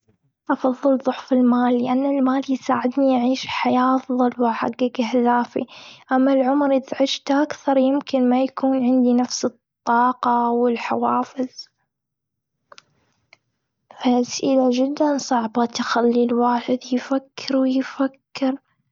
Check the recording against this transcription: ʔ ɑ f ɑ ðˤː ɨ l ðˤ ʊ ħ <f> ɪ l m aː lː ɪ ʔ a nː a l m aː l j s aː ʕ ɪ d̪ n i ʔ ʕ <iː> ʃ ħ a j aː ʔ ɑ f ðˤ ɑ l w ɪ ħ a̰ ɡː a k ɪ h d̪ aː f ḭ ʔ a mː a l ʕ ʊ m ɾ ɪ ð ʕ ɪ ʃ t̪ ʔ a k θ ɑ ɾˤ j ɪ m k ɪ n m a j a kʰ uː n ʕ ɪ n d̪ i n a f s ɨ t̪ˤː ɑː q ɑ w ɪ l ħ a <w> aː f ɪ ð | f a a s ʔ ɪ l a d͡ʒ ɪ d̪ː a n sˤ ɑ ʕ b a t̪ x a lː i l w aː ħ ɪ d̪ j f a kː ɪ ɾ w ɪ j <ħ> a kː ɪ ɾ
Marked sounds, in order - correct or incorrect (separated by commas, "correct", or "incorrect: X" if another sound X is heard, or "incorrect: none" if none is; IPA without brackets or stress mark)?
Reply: correct, correct, correct, incorrect: f